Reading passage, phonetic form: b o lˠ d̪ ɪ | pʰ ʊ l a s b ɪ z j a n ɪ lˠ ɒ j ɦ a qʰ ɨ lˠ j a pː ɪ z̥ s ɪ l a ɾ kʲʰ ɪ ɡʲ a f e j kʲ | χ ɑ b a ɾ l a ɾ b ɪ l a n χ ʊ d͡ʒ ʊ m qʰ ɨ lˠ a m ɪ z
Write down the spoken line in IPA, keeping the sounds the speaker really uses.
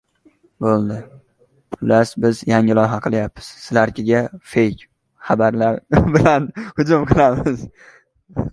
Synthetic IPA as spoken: b o lˠ d̪ ɪ | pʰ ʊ l a s b ɪ z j a ŋ ɪ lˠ ɒ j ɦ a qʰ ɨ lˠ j a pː ɪ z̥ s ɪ l a ɾ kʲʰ ɪ ɡʲ a f e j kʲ | χ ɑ b a ɾ l a ɾ b ɪ l a n h ʊ d͡ʒ ʊ m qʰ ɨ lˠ a m ɪ z